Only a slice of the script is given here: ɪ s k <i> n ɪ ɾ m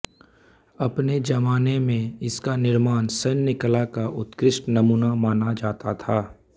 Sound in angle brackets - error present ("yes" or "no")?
yes